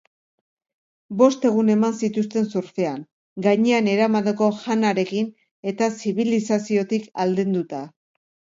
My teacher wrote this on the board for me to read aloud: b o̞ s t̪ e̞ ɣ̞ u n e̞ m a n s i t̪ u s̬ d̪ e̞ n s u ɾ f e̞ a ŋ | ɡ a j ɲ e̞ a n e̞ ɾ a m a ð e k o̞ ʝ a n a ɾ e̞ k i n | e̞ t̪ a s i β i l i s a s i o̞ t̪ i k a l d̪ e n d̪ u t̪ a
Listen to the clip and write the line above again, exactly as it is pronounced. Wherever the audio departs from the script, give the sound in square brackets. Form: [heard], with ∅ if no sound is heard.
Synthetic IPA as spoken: b o̞ s t̪ e̞ ɣ̞ u n e̞ m a n s i t̪ u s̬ [t̪] e̞ n s u ɾ f e̞ a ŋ | ɡ a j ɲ e̞ a n e̞ ɾ a m a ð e k o̞ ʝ a n a ɾ e̞ k i n | e̞ t̪ a s i β i l i s a s i o̞ t̪ i k a l d̪ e n d̪ u t̪ a